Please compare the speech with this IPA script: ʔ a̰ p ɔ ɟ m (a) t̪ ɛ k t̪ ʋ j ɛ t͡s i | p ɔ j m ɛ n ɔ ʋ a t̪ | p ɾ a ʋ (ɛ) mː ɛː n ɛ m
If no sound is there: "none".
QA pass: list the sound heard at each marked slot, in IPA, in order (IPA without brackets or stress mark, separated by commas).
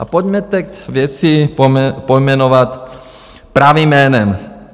ɛ, i